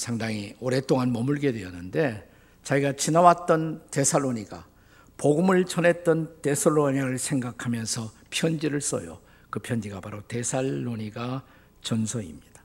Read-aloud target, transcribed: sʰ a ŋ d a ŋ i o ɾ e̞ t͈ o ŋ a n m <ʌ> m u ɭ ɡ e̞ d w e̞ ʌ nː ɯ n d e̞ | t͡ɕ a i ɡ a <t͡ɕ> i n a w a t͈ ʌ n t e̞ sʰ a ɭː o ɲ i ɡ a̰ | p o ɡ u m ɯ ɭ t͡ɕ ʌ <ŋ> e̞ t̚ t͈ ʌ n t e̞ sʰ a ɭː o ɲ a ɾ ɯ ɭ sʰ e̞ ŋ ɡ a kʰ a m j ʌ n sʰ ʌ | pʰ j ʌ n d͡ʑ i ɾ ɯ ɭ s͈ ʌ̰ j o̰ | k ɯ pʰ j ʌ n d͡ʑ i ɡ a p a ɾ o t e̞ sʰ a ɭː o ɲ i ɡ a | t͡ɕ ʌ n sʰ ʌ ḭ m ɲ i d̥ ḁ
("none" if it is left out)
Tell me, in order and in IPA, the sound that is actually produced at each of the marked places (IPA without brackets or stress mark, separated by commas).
ʌ, t͡ɕ, n